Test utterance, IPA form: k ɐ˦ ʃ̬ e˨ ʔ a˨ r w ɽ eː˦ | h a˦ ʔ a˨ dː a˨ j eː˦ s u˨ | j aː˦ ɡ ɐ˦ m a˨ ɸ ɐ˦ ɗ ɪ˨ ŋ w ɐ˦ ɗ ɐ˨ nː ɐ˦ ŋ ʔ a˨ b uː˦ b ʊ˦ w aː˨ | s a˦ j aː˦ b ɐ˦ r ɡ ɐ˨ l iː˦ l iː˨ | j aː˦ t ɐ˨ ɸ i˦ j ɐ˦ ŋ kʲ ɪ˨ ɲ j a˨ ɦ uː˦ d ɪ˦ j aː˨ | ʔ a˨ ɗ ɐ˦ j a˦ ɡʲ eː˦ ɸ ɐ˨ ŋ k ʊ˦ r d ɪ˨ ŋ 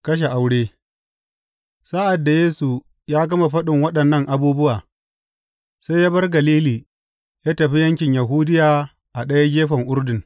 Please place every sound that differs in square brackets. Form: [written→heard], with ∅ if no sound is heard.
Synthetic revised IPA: k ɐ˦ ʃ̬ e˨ ʔ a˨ [r→∅] w ɽ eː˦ | [h→s] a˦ ʔ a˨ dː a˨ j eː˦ s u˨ | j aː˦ ɡ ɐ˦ m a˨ ɸ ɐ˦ ɗ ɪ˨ ŋ w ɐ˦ ɗ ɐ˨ nː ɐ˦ ŋ ʔ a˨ b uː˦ b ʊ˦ w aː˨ | s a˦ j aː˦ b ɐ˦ r ɡ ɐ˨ l iː˦ l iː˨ | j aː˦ t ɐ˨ ɸ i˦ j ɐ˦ ŋ kʲ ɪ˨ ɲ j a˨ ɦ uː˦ d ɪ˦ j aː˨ | ʔ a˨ ɗ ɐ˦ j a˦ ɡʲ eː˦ ɸ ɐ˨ ŋ [k→ʔ] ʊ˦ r d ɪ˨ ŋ